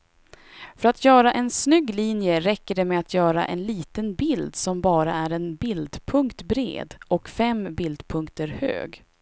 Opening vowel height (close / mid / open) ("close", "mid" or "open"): mid